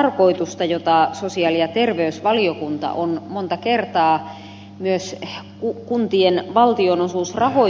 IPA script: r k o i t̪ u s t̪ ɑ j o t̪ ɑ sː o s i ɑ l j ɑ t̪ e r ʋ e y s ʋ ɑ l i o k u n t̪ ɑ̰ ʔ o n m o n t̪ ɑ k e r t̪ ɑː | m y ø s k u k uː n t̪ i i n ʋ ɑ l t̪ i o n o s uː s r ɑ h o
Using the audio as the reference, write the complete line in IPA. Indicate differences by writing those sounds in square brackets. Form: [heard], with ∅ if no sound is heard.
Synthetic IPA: r k o i t̪ u s t̪ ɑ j o t̪ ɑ [s] o s i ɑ l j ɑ t̪ e r ʋ e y s ʋ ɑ l i o k u n t̪ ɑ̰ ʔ o n m o n t̪ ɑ k e r t̪ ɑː | m y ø s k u k [u] n t̪ i [e] n ʋ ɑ l t̪ i o n o s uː s r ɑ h o

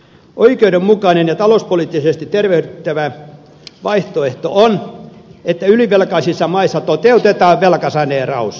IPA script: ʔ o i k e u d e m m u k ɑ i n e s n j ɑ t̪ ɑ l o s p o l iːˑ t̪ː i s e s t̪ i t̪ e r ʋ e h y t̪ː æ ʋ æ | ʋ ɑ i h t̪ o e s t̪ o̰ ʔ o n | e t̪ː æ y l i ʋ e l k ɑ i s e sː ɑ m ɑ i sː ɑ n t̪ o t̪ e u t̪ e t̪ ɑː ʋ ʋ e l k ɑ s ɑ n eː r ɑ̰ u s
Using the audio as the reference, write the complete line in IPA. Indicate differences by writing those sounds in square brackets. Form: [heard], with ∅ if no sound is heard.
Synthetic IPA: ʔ o i k e u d e m m u k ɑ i n e [∅] n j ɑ t̪ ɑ l o s p o l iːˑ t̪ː i s e s t̪ i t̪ e r ʋ e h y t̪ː æ ʋ æ | ʋ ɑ i h t̪ o e [h] t̪ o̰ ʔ o n | e t̪ː æ y l i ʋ e l k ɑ i s [i] sː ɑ m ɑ i sː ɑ [∅] t̪ o t̪ e u t̪ e t̪ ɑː ʋ ʋ e l k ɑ s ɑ n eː r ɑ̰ u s

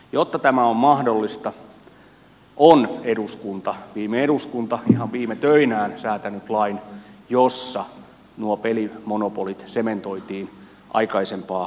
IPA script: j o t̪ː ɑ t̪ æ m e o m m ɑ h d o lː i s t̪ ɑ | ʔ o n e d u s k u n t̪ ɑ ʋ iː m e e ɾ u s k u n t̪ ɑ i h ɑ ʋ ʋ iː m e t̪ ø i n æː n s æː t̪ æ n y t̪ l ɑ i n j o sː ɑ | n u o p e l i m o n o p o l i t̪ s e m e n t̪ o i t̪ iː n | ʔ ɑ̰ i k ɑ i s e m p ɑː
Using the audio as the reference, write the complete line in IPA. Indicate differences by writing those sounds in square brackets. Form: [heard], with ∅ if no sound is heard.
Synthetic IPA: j o t̪ː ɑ t̪ æ m [æ] o m m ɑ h d o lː i s t̪ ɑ | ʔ o n e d u s k u n t̪ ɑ ʋ iː m e e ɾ u s k u n t̪ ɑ i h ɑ ʋ ʋ iː m e t̪ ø i n æː n s æː t̪ æ n y t̪ l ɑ i n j o sː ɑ | n u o p e l i m o n o p o l i t̪ s e m e n t̪ o i t̪ iː n | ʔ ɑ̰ i k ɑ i s e m p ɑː

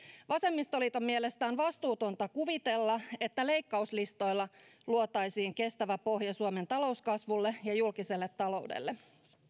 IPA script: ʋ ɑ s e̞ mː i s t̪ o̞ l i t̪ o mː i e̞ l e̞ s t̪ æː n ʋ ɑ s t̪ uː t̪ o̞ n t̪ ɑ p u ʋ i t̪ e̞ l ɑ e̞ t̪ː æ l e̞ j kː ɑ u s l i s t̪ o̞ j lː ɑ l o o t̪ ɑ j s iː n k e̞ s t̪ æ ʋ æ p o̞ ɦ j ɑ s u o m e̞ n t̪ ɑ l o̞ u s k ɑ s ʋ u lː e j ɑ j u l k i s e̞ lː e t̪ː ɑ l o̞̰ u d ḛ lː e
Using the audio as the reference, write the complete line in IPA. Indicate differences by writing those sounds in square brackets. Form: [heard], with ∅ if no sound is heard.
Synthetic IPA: ʋ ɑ s e̞ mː i s t̪ o̞ l i t̪ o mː i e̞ l e̞ s t̪ æː n ʋ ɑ s t̪ uː t̪ o̞ n t̪ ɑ [k] u ʋ i t̪ e̞ [lː] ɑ e̞ t̪ː æ l e̞ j kː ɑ u s l i s t̪ o̞ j lː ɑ l [u] o t̪ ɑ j s iː [ŋ] k e̞ s t̪ æ ʋ æ p o̞ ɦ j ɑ s u o m e̞ n t̪ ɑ l o̞ u s k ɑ s ʋ u lː e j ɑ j u l k i s e̞ lː e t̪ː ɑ l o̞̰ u d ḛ lː e

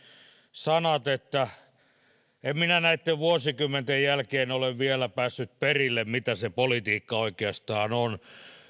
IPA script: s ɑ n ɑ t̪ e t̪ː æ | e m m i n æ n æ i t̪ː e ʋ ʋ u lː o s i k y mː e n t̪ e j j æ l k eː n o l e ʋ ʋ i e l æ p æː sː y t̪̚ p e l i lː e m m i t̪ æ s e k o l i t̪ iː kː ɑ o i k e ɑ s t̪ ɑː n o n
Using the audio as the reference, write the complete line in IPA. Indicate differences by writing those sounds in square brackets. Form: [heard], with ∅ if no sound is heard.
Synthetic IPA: s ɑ n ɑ t̪ e t̪ː æ | e m m i n æ n æ i t̪ː e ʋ ʋ u [∅] o s i k y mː e n t̪ e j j æ l k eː n o l e ʋ ʋ i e l æ p æː sː y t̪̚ p e [r] i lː e m m i t̪ æ s e [p] o l i t̪ iː kː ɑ o i k e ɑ s t̪ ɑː n o n

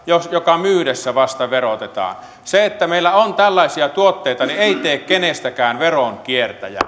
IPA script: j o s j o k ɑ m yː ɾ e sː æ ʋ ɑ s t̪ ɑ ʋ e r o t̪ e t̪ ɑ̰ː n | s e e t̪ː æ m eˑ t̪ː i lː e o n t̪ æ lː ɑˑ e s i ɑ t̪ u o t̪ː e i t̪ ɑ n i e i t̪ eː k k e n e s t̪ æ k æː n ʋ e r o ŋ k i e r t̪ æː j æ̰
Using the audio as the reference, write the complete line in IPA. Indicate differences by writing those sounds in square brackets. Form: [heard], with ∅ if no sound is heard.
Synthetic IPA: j o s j o k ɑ m yː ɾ e sː æ ʋ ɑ s t̪ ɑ ʋ e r o t̪ e t̪ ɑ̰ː n | s e e t̪ː æ m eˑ [∅] i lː [æ] o n t̪ æ lː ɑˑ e s i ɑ t̪ u o t̪ː e i t̪ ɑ n i e i t̪ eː k k e n e s t̪ æ k æː n ʋ e r o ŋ k i e r t̪ [æ] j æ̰

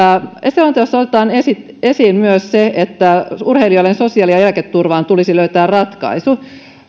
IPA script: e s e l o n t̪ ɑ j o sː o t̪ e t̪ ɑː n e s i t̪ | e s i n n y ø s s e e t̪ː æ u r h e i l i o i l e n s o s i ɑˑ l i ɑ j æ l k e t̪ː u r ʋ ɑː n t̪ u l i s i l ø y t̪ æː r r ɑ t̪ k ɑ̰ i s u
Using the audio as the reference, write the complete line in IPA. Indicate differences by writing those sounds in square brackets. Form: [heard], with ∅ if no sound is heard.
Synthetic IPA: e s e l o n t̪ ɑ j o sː o t̪ e t̪ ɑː n e s i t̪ | e s [iː] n [m] y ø s s e e t̪ː æ u r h e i l i o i l e n s o s i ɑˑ l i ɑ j æ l k e t̪ː u r ʋ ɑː n t̪ u l i s i l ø y t̪ æː r r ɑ t̪ k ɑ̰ i s u

